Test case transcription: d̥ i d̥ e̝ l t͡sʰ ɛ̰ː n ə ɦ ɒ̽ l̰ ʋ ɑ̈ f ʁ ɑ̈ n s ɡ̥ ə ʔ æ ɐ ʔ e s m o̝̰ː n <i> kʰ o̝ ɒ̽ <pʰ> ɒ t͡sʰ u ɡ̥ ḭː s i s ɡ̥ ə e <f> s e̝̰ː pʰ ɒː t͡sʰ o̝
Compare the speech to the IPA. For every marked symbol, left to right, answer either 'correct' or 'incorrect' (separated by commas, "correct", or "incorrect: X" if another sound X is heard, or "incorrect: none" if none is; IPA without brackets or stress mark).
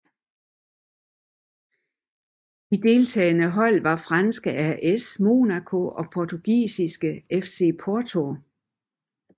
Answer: incorrect: æ, correct, correct